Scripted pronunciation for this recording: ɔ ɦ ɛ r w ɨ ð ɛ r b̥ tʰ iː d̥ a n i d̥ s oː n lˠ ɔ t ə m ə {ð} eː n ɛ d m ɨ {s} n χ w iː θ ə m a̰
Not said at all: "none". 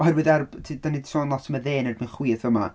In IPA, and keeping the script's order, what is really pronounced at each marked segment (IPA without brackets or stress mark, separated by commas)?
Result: ð, none